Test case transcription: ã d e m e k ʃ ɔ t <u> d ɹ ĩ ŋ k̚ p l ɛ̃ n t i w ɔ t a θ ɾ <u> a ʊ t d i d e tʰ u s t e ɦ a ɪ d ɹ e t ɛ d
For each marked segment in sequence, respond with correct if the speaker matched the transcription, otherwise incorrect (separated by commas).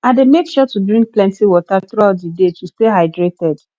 correct, correct